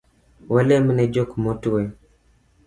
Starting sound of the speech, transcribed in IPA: w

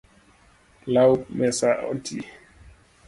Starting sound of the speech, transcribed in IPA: l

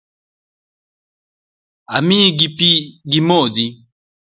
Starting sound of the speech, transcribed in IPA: a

